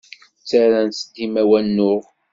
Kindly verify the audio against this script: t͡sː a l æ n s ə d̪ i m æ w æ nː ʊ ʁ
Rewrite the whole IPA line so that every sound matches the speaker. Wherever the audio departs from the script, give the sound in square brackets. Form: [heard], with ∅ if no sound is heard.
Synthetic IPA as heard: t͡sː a [ɾ] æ n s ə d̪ i m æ w æ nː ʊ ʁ